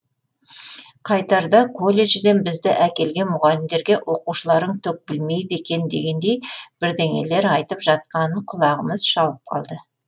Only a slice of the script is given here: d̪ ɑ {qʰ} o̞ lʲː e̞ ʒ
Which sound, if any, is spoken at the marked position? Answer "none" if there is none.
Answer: kʰ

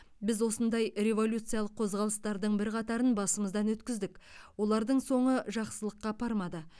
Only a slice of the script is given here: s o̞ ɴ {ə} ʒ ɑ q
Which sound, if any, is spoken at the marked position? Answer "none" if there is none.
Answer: ə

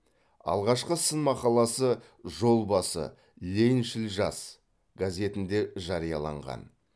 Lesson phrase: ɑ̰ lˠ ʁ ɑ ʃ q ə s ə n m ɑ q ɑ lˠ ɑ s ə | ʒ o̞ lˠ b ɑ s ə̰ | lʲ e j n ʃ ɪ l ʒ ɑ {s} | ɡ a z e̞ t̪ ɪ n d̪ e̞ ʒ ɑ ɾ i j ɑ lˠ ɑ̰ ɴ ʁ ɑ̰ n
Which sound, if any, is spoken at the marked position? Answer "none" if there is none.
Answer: s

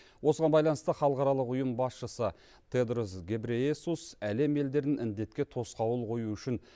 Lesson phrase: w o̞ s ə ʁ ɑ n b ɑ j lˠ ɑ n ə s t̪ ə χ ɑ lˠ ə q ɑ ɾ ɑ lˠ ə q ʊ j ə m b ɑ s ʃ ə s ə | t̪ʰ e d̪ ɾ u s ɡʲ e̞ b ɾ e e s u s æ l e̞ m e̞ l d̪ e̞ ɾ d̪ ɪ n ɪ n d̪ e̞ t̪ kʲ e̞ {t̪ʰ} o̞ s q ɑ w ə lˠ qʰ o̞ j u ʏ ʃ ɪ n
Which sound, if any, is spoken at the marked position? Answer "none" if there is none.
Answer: t̪ʰ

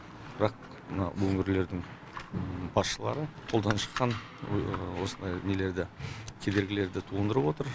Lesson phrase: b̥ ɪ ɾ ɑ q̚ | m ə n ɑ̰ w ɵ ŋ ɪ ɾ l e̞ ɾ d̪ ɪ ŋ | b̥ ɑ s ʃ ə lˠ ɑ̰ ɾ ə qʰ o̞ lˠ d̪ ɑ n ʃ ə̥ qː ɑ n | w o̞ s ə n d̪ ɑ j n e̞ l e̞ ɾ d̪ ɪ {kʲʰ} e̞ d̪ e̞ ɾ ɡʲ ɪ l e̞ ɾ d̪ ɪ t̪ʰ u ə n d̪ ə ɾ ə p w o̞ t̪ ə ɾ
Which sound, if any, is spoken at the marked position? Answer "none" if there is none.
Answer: kʲʰ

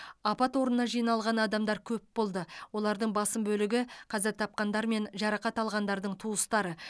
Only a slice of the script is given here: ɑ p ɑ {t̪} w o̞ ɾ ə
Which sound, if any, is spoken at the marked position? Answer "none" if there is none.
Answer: t̪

